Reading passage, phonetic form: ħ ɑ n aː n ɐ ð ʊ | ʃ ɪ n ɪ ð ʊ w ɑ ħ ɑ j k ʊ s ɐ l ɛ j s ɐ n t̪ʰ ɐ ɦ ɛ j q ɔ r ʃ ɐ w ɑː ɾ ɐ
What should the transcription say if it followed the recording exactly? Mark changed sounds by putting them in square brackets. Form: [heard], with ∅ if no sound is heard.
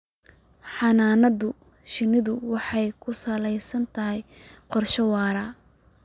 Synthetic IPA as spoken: ħ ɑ n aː n ɐ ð ʊ | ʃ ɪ n ɪ ð ʊ w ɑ ħ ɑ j [kʰ] ʊ s ɐ l ɛ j s ɐ n t̪ʰ ɐ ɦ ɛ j q ɔ r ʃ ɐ w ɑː ɾ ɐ